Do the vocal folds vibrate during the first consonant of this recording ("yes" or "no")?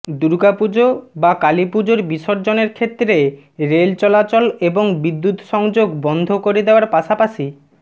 yes